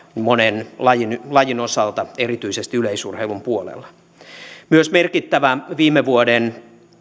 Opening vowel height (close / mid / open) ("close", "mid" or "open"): mid